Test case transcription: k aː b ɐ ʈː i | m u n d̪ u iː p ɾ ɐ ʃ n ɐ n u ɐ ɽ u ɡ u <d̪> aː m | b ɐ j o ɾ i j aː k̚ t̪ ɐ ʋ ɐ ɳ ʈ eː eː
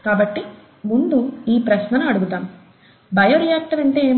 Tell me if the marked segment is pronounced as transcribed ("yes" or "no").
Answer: no